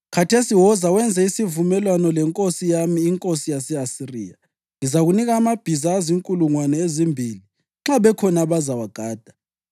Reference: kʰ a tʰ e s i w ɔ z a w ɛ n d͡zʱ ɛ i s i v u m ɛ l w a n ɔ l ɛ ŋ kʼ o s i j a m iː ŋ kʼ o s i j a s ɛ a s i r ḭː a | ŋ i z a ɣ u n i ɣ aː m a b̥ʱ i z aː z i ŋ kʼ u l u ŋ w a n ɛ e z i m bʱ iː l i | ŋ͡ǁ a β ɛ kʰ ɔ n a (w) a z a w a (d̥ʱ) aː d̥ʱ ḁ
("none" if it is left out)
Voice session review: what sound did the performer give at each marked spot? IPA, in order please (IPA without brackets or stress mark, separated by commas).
β, ɡ̥ʱ